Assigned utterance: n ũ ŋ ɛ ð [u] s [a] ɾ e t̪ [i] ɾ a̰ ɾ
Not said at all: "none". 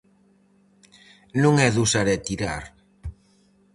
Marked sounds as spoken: u, a, i

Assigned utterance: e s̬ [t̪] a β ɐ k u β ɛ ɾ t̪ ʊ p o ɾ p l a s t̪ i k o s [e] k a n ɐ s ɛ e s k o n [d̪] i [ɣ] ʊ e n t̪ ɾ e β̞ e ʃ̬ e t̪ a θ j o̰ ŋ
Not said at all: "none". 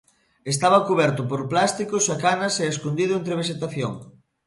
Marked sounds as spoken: t̪, a, d̪, ð

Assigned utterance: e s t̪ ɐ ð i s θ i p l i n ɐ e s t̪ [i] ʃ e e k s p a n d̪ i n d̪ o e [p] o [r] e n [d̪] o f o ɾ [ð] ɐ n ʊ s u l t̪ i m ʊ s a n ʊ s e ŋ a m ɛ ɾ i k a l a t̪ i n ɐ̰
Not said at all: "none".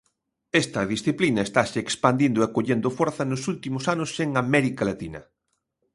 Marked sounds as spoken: a, k, ʎ, d̪, θ

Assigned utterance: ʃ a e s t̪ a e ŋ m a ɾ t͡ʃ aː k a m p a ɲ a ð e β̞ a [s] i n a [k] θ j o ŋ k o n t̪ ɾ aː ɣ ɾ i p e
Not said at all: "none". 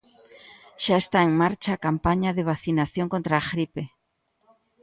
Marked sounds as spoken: θ, none

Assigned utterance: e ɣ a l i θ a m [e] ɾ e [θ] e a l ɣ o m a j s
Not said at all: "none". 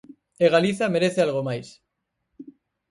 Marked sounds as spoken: e, θ

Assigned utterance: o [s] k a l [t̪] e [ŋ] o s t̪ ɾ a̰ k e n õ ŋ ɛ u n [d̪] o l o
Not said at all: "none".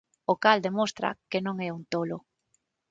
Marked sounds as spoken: none, d̪, m, t̪

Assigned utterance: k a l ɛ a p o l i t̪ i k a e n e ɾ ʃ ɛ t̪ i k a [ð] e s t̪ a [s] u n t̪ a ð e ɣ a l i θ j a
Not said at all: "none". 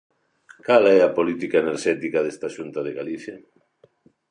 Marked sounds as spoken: ð, ʃ

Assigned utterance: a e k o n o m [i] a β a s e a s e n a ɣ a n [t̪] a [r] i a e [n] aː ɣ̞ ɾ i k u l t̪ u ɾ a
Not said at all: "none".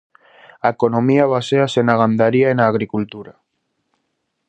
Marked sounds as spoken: i, d̪, ɾ, n

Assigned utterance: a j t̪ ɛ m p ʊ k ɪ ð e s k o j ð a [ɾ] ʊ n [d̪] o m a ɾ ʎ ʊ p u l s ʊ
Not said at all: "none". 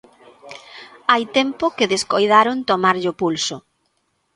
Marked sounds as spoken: ɾ, t̪

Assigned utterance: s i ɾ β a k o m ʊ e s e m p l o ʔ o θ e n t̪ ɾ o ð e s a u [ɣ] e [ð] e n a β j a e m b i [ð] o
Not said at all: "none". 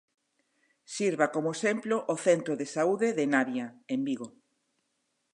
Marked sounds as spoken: ð, ð, ɣ

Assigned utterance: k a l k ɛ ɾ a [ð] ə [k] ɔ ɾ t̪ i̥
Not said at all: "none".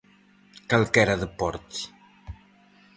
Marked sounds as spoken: ð, p

